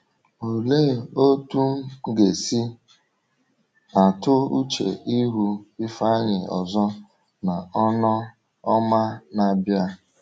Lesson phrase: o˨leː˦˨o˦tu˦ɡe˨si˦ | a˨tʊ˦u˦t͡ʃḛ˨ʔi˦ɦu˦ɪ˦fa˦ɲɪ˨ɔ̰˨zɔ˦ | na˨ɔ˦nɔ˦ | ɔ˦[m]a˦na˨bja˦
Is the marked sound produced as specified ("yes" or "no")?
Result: yes